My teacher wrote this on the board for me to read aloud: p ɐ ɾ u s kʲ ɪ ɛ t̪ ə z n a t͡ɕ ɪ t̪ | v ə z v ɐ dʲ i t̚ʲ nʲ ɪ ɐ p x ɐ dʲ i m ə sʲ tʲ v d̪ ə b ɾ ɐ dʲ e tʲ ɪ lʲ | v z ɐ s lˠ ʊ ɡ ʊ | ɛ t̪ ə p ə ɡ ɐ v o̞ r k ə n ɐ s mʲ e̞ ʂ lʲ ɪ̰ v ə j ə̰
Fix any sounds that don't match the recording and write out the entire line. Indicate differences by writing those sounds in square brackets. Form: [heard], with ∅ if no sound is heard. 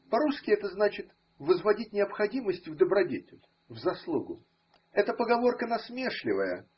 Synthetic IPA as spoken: p ɐ ɾ u s kʲ ɪ ɛ t̪ ə z n a t͡ɕ ɪ t̪ | v ə z v ɐ dʲ i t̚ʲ nʲ ɪ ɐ p x ɐ dʲ i m ə sʲ tʲ v d̪ ə b ɾ ɐ dʲ e tʲ ɪ lʲ | v z ɐ s lˠ [u] ɡ ʊ | ɛ t̪ ə p ə ɡ ɐ v o̞ r k ə n ɐ s mʲ e̞ ʂ lʲ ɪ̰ v ə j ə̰